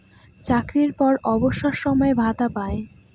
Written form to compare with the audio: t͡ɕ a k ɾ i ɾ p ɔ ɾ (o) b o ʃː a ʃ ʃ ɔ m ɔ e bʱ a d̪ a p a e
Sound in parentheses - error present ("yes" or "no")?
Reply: yes